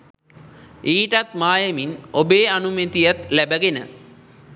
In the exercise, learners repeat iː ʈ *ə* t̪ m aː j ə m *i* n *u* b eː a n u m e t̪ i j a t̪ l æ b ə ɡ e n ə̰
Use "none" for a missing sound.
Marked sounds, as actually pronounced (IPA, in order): a, i, o

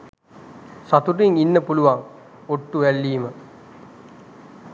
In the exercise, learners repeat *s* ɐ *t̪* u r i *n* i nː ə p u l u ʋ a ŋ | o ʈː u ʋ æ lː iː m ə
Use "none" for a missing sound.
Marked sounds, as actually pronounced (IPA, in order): s, t̪, ŋ

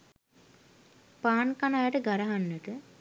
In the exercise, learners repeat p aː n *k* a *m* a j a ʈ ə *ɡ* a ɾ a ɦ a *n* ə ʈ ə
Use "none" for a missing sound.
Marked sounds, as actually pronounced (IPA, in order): k, n, ɡ, nː

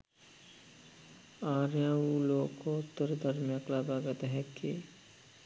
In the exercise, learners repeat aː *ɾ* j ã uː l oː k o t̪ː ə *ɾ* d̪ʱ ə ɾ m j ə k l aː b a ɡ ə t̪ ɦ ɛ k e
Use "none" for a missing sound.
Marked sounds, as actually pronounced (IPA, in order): ɾ, ɾ

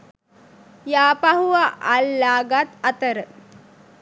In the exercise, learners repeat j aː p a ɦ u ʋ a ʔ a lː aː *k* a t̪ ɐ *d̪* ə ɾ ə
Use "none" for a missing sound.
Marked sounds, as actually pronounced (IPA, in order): ɡ, t̪

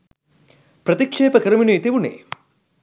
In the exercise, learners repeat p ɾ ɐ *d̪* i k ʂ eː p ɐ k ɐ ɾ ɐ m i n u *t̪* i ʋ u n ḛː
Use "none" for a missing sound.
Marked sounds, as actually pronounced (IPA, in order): t̪, t̪

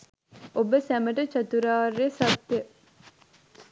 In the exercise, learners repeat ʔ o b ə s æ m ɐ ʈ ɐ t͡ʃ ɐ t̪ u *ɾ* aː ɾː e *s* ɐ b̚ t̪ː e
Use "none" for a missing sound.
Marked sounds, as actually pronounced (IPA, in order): ɾ, s

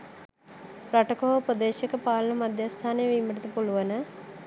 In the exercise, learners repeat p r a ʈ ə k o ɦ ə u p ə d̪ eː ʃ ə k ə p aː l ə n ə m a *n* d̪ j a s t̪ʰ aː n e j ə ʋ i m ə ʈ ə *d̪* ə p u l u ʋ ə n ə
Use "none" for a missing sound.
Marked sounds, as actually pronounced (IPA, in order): none, t̪

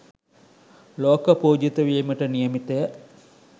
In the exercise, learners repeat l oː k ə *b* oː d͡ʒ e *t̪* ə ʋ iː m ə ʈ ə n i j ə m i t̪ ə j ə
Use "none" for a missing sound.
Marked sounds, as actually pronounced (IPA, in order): p, t̪

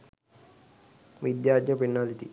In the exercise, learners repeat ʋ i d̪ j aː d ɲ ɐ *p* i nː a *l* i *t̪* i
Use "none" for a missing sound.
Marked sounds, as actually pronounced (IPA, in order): p, l, t̪

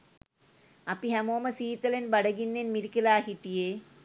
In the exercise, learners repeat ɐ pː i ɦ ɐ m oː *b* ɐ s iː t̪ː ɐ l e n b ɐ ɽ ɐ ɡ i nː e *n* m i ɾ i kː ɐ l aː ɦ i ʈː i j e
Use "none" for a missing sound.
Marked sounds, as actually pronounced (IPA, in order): m, n

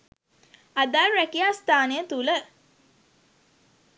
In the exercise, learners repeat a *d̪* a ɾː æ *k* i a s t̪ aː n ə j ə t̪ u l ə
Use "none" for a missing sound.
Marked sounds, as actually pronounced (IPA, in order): d̪, k

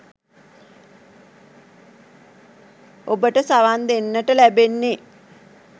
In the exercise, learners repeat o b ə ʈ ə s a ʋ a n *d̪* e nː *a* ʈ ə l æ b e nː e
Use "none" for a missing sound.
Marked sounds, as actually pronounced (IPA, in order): d̪, ə

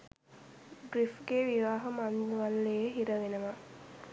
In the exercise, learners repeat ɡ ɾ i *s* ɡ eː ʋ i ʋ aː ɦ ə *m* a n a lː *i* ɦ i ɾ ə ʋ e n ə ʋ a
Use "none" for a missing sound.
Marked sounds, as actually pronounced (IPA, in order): f, m, e

